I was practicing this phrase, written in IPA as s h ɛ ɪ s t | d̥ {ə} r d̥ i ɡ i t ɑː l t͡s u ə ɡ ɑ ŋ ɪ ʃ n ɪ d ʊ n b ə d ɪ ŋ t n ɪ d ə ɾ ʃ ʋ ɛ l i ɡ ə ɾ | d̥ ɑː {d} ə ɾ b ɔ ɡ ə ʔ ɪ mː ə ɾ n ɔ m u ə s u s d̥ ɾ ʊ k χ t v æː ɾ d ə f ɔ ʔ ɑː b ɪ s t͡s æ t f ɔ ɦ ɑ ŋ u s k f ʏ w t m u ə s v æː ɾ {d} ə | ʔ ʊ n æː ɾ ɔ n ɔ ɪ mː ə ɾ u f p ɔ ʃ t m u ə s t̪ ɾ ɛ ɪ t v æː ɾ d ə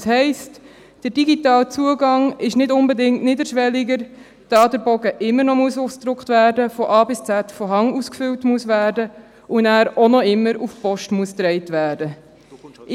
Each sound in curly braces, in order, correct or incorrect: correct, correct, correct

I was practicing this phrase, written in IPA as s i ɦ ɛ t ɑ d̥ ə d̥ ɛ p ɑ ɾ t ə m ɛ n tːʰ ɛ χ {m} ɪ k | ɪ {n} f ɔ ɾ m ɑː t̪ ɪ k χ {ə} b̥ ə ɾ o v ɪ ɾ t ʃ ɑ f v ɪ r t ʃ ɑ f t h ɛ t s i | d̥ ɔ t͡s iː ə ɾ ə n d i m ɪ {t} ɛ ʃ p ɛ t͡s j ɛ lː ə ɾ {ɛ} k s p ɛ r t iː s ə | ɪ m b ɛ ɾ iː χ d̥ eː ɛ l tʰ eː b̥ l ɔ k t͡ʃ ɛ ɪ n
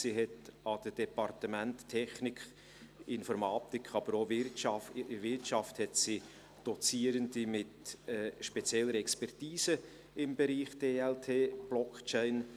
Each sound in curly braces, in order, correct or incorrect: incorrect: n, correct, incorrect: ɑ, correct, correct

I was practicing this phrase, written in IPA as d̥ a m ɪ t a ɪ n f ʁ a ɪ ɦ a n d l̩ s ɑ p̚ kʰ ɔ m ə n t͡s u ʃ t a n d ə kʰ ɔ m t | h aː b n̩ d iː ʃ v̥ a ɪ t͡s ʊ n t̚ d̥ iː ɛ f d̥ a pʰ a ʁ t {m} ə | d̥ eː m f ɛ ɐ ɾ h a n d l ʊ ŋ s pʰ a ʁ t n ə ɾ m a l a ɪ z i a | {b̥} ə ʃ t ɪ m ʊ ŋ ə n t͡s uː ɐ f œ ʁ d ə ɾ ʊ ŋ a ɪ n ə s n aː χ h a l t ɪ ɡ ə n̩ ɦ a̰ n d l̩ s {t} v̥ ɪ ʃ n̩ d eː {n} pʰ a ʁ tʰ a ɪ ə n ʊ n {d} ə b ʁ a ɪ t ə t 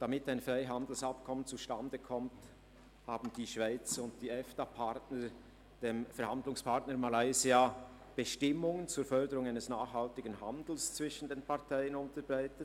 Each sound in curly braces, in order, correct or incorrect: incorrect: n, correct, incorrect: t͡s, correct, incorrect: t

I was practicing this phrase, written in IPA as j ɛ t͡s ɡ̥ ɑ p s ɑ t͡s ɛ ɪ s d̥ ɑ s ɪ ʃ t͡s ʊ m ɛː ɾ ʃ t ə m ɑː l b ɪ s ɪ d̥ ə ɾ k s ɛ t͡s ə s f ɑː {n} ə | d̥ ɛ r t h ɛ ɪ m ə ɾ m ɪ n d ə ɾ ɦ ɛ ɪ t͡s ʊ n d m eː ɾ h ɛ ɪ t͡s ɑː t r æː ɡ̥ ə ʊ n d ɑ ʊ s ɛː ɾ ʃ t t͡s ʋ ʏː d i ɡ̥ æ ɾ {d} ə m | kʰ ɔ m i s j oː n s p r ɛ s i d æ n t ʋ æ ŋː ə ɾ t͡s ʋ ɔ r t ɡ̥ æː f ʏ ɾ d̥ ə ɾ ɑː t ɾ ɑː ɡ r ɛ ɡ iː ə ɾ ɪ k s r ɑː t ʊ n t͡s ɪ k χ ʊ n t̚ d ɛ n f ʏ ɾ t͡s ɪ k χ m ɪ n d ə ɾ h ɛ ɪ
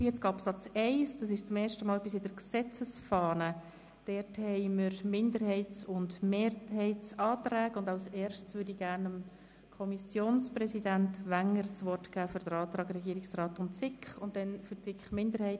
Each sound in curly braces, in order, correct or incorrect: correct, incorrect: n

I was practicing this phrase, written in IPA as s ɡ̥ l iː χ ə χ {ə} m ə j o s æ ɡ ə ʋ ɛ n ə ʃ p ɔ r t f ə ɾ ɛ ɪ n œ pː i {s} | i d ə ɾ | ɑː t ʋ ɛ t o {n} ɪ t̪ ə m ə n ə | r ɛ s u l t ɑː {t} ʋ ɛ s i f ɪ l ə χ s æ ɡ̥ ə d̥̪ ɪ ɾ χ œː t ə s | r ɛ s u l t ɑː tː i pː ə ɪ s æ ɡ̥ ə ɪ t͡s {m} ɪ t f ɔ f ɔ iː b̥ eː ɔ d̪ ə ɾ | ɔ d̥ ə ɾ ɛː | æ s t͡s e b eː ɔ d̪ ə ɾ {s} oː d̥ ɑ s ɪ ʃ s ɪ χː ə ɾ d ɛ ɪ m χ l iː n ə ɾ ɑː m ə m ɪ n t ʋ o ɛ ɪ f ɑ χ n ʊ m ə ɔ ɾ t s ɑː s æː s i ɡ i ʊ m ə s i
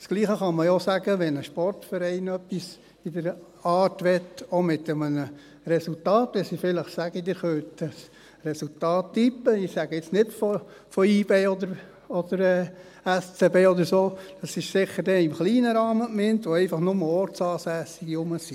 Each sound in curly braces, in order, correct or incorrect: incorrect: ɑ, correct, incorrect: m, correct, incorrect: n, correct

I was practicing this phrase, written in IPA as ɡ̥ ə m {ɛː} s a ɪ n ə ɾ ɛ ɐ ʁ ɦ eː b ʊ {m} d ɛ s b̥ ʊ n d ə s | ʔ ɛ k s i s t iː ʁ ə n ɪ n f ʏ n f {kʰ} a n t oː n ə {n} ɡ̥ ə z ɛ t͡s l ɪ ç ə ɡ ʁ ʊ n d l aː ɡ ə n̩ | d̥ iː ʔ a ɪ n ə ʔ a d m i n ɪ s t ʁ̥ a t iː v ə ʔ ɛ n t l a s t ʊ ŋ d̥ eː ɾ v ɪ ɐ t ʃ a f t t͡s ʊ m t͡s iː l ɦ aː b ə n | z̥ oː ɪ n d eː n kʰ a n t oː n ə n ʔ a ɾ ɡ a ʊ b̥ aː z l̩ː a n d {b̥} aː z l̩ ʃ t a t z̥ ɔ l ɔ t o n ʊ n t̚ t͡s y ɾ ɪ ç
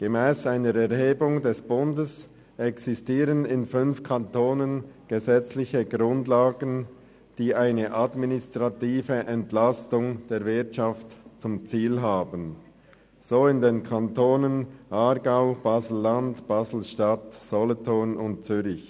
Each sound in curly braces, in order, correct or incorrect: correct, incorrect: ŋ, correct, correct, correct

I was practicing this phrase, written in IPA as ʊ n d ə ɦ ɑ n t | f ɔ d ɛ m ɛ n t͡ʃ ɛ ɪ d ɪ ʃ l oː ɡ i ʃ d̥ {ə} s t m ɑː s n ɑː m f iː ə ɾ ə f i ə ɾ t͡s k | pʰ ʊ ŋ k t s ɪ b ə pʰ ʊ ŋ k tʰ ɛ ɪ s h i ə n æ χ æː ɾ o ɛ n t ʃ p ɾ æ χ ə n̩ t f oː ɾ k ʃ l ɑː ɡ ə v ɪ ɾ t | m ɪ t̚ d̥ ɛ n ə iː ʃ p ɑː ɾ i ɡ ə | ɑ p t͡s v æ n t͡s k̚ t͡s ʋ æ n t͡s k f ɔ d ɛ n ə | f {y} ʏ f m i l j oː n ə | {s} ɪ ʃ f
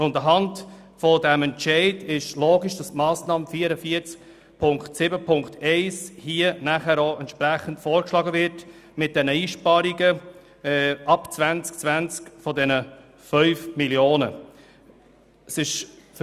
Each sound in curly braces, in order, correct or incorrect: incorrect: ɑ, incorrect: œ, correct

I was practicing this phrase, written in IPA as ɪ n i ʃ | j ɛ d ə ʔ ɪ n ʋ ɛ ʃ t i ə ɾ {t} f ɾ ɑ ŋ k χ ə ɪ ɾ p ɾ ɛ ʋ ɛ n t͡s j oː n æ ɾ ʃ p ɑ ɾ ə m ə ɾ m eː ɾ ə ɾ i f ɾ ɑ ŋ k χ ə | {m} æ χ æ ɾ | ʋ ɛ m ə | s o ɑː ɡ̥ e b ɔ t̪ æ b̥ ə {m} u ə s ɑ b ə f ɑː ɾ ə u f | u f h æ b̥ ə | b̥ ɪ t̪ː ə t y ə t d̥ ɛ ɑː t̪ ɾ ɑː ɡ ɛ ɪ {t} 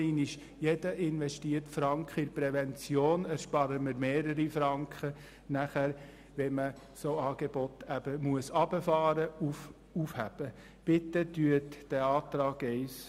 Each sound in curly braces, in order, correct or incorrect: correct, incorrect: n, correct, incorrect: s

